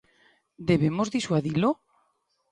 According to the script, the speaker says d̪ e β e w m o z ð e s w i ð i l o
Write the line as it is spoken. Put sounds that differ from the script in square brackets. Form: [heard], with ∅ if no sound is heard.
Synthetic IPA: d̪ e β e [∅] m o z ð [i] s w [a] ð i l o

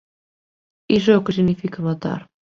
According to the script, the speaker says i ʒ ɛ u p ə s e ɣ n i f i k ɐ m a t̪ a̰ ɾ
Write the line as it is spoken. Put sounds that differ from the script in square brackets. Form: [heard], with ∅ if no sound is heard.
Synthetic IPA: i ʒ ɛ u [k] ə s [i] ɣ n i f i k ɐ m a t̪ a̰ ɾ

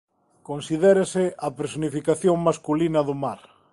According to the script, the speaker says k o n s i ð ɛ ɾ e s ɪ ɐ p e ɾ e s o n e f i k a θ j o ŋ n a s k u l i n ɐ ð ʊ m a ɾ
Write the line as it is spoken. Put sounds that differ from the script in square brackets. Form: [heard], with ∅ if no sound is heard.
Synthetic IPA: k o n s i ð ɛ ɾ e s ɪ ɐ p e ɾ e s o n [i] f i k a θ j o ŋ [m] a s k u l i n ɐ ð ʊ m a ɾ

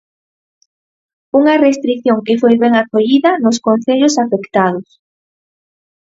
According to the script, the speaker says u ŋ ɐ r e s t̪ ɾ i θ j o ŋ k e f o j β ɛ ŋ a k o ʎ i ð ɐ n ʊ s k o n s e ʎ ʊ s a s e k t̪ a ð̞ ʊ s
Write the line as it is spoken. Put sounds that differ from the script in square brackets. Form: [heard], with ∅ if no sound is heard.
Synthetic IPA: u ŋ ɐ r e s t̪ ɾ i θ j o ŋ k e f o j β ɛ ŋ a k o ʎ i ð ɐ n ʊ s k o n [θ] e ʎ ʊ s a [f] e k t̪ a ð̞ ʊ s

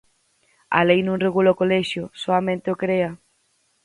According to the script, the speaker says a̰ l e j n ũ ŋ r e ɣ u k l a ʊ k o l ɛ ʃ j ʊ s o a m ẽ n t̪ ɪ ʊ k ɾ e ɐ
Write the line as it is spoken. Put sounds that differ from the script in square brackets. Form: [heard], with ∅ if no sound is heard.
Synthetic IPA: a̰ l e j n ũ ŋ r e ɣ u [∅] l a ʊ k o l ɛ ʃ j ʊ s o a m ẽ n t̪ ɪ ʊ k ɾ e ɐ

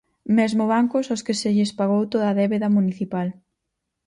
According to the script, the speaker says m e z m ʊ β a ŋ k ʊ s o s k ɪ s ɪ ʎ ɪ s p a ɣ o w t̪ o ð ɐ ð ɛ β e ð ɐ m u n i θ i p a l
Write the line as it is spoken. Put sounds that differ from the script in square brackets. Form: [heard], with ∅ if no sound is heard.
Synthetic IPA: m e z m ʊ β a ŋ k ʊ s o s k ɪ s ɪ ʎ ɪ s p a ɣ o w t̪ o ð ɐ ð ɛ β e ð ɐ m u n i θ i p a l

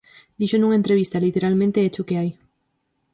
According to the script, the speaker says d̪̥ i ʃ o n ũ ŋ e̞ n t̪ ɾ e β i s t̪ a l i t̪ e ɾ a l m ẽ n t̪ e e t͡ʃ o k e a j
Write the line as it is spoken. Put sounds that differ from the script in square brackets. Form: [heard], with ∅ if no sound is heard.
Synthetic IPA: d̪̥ i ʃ o n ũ ŋ e̞ n t̪ ɾ e β i s t̪ a l i t̪ e ɾ a l m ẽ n t̪ e e t͡ʃ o k e a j

